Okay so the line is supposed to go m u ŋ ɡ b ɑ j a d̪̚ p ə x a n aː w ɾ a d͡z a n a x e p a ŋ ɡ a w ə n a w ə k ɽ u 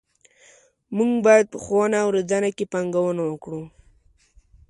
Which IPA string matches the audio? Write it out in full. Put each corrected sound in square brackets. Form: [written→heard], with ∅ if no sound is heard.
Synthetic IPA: m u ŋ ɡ b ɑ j a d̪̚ p ə x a n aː w ɾ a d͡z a n a [x→k] e p a ŋ ɡ a w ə n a w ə k ɽ u

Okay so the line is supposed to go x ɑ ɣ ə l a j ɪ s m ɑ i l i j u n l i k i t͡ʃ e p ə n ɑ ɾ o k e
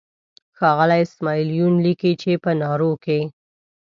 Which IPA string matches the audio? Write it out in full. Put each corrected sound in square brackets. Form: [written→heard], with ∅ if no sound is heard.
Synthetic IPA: x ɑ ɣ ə l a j ɪ s m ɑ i l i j u n l i k i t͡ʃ e p ə n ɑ ɾ o k e

